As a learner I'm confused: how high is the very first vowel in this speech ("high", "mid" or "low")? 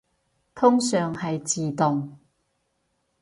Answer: high